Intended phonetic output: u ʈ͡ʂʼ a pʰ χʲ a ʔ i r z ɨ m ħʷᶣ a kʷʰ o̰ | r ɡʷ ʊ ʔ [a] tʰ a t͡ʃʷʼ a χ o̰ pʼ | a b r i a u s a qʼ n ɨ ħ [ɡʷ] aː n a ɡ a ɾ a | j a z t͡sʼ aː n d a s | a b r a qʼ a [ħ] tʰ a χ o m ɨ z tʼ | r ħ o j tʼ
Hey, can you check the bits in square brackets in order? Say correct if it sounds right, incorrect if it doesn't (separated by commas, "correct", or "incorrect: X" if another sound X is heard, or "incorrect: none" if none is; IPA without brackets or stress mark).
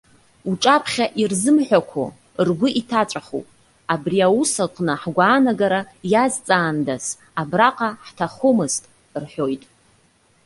incorrect: i, correct, correct